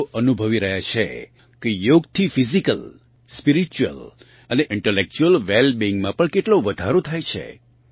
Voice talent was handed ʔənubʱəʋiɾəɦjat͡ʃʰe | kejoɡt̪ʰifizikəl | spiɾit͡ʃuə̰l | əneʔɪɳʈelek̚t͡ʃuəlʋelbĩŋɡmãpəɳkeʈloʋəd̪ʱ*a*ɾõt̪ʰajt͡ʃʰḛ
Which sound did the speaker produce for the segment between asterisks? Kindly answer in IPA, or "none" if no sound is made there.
a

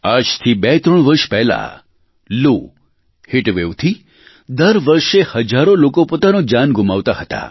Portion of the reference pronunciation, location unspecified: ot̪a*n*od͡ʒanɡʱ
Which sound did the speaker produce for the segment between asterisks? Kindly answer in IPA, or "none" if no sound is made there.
n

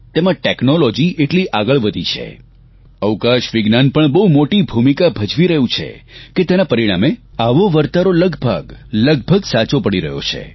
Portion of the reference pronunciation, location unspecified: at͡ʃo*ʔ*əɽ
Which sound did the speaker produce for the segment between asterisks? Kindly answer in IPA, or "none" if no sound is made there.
p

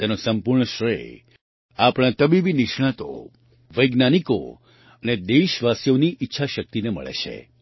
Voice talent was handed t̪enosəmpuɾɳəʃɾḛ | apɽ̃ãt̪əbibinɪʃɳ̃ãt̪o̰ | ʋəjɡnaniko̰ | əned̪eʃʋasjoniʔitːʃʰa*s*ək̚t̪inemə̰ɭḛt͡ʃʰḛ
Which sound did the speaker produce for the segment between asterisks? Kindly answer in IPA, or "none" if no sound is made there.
ʃ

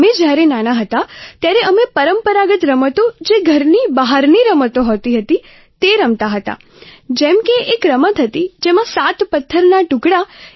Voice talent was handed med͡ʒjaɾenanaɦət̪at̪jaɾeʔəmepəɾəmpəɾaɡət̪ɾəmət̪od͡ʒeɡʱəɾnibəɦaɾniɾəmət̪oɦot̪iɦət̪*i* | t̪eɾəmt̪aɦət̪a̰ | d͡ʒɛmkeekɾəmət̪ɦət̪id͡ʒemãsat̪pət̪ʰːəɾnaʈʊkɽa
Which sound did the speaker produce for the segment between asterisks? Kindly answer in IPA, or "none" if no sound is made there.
i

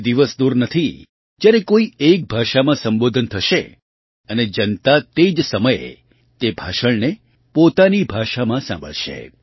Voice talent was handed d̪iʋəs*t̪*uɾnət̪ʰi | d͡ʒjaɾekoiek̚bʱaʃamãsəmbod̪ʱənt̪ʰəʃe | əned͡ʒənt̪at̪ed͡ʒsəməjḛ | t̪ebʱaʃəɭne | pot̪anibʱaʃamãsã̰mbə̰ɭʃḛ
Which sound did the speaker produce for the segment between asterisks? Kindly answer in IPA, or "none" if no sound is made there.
d̪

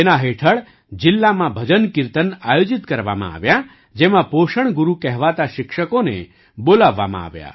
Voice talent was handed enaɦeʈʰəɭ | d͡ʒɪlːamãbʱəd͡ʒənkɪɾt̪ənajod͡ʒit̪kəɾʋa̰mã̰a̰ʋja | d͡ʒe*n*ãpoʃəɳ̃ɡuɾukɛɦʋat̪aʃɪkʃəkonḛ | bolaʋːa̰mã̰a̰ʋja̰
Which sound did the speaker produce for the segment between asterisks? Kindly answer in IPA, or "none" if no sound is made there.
m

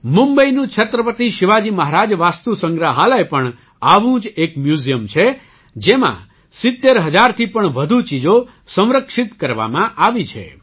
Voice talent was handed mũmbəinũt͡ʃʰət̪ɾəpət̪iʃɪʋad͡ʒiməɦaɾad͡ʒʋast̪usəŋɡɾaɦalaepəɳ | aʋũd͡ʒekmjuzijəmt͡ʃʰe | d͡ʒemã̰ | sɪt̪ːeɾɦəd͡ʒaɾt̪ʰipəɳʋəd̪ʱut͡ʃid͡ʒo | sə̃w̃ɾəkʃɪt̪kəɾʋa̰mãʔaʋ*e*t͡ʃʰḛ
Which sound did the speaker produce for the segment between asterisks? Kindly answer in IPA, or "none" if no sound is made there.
i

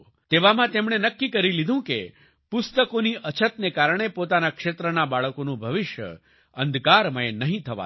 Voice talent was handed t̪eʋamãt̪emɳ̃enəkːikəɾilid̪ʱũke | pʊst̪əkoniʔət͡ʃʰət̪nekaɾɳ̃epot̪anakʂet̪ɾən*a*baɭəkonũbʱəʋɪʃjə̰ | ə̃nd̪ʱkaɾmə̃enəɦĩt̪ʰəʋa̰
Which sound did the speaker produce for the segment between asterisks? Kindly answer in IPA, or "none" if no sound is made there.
a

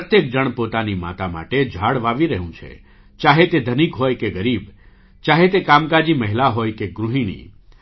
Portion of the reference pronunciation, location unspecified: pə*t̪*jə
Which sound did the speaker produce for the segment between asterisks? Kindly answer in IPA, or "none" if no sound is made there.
t̪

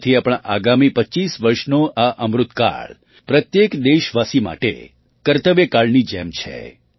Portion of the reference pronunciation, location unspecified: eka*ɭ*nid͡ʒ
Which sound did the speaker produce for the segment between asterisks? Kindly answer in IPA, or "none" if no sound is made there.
ɭ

